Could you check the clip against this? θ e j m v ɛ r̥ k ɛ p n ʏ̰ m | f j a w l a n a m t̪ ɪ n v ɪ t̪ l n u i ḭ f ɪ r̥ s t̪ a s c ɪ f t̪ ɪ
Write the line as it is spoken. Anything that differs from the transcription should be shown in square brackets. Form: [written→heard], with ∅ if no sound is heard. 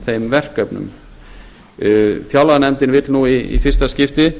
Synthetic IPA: θ e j m v ɛ r̥ k [ɛ→œ] p n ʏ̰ m | f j a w l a n [a→ɛ] m t̪ ɪ n v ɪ t̪ l n u i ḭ f ɪ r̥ s t̪ a s c ɪ f t̪ ɪ